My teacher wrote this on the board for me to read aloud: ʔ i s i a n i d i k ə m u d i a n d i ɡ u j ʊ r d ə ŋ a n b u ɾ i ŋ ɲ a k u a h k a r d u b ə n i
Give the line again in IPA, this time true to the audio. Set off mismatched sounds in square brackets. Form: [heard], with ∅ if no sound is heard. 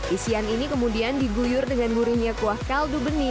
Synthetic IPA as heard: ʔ i s i a n i [n] i k ə m u d i a n d i ɡ u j ʊ r d ə ŋ a n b u ɾ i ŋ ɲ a k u a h k a [l] d u b ə n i

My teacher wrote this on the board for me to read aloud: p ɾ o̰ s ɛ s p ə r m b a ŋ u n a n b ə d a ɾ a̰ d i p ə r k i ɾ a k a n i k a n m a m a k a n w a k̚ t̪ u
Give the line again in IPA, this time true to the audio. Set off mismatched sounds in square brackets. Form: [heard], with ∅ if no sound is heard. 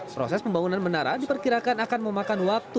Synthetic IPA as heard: p ɾ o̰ s ɛ s p ə [∅] m b a ŋ u n a n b ə [n] a ɾ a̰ d i p ə r k i ɾ a k a n [a] k a n m [ə] m a k a n w a k̚ t̪ u

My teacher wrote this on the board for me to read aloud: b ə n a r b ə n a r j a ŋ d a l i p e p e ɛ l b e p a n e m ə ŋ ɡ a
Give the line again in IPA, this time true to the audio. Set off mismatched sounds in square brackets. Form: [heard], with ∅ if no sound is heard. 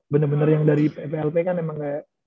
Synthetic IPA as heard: b ə n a r b ə n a r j a ŋ d a [ɾ] i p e p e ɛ l [p] e [k] a n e m [a] ŋ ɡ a

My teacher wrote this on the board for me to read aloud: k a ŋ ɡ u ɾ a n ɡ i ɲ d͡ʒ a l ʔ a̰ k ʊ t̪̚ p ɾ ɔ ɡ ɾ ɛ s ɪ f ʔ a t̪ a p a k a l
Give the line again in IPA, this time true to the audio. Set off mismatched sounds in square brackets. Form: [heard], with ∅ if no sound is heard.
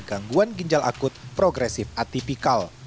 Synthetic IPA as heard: [ɡ] a ŋ ɡ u [∅] a n ɡ i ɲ d͡ʒ a l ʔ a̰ k ʊ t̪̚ p ɾ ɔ ɡ ɾ ɛ s ɪ f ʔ a t̪ [i] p [i] k a l

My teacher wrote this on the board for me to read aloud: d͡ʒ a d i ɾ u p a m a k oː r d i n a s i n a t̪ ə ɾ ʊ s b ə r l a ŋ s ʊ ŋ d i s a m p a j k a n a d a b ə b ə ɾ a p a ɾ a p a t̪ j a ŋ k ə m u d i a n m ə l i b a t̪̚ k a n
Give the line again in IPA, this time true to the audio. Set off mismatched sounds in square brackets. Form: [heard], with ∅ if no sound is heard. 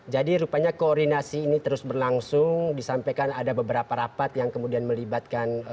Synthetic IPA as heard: d͡ʒ a d i ɾ u p a [ɲ] a k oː r d i n a s [iː] n [i] t̪ ə ɾ ʊ s b ə r l a ŋ s ʊ ŋ d i s a m p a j k a n a d a b ə b ə ɾ a p a ɾ a p a t̪ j a ŋ k ə m u d i a n m ə l i b a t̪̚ k a n

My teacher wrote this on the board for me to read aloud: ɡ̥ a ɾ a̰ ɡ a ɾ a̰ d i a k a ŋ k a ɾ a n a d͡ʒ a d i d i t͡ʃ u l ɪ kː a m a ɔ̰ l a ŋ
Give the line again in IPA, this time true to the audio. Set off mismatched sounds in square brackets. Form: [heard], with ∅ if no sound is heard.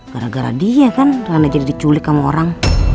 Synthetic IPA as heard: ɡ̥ a ɾ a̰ ɡ a ɾ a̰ d i a k a [n] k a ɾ a n a d͡ʒ a d i d i t͡ʃ u l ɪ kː a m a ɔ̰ [ɾ] a ŋ

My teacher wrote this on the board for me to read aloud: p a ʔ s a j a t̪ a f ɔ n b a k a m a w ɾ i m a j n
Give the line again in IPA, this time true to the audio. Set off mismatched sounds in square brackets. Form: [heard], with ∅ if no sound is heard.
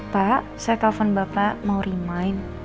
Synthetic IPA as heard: p a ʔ s a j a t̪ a f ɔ n b a [p] a m a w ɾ i m a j n

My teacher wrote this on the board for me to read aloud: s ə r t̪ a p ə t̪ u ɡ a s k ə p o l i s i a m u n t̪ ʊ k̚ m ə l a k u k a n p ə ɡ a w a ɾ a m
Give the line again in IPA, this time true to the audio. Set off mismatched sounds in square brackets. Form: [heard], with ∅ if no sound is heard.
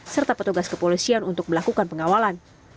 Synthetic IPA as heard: s ə r t̪ a p ə t̪ u ɡ a s k ə p o l i s i a [n] u n t̪ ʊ k̚ m ə l a k u k a n p ə [ŋ] a w a [l] a [n]

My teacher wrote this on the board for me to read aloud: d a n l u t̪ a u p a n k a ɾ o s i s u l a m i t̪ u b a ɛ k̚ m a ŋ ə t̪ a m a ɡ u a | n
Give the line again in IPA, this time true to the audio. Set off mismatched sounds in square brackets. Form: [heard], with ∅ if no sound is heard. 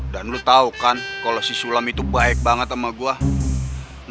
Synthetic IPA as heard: d a n l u t̪ a u [k] a n k a [l] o s i s u l a m i t̪ u b a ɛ k̚ [b] a ŋ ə t̪ a m a ɡ u a | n

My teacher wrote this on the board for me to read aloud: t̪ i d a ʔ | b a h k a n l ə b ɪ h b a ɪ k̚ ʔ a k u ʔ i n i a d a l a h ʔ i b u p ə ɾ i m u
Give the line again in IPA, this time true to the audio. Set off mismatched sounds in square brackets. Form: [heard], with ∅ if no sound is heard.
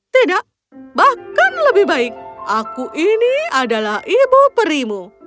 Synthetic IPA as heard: t̪ i d a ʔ | b a h k a n l ə b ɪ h b a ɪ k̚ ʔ a k u ʔ i n i a d a l a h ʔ i b u p ə ɾ i m u

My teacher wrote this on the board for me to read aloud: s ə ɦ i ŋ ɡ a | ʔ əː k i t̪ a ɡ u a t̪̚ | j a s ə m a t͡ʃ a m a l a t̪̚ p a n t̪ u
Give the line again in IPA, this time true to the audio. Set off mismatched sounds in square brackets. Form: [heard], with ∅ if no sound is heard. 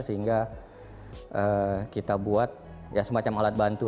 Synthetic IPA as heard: s ə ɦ i ŋ ɡ a | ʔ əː k i t̪ a [b] u a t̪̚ | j a s ə m a t͡ʃ a m a l a t̪̚ [b] a n t̪ u

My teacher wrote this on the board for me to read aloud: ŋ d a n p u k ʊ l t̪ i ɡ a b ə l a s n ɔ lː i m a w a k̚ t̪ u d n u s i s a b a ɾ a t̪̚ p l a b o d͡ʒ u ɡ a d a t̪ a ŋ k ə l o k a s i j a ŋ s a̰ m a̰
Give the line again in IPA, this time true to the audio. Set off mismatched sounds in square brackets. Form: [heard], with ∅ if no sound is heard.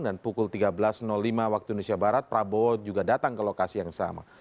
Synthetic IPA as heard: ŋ d a n p u k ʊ l t̪ i ɡ a b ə l a s n ɔ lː i m a w a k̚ t̪ u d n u s i [∅] a b a ɾ a t̪̚ p [ɾ] a b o d͡ʒ u ɡ a d a t̪ a ŋ k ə l o k a s i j a ŋ s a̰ m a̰

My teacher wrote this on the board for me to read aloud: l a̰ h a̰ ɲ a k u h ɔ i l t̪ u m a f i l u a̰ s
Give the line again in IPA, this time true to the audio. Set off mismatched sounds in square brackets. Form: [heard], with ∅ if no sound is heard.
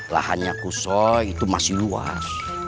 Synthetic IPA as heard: l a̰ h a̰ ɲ a k u [s] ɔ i [∅] t̪ u m a [s] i l u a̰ s

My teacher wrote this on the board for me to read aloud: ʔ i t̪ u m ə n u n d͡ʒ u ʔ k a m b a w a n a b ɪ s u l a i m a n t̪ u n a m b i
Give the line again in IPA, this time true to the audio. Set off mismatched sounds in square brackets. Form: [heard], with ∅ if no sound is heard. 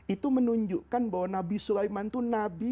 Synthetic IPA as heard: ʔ i t̪ u m ə n u [ɲ] d͡ʒ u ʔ k a [n] b a w a n a b [i] s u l a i m a n t̪ u n a [∅] b i

